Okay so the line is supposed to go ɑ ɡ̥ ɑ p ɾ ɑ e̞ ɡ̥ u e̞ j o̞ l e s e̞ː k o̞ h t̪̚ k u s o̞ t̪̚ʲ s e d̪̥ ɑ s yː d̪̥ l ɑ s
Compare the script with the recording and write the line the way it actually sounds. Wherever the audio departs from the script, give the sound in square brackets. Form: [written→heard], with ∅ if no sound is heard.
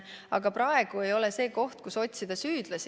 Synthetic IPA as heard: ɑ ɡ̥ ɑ p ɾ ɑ e̞ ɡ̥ u e̞ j o̞ l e s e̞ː k o̞ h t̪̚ k u s o̞ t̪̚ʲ s [e→i] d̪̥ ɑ s yː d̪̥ l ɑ s